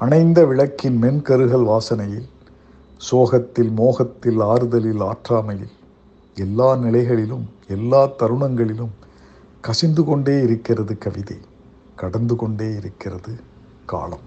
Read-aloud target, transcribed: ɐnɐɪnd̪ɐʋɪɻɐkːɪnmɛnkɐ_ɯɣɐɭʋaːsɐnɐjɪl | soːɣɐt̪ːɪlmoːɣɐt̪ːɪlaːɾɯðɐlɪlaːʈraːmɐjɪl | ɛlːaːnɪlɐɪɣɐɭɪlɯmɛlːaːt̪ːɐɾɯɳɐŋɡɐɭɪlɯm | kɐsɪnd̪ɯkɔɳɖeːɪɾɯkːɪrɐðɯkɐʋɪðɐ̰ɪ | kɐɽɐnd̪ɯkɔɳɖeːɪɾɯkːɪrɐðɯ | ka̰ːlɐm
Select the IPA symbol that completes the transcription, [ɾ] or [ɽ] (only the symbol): ɾ